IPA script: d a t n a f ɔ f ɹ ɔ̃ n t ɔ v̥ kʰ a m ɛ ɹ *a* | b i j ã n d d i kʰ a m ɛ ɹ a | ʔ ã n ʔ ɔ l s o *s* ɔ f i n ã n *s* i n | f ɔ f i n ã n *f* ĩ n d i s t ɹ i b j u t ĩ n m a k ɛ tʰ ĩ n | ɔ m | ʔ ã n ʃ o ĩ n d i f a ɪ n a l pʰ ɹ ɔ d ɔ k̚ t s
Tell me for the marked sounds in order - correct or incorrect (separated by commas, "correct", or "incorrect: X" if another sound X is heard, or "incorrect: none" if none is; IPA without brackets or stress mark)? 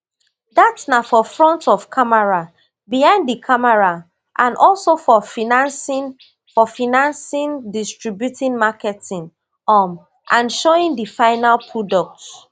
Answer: correct, incorrect: f, correct, incorrect: s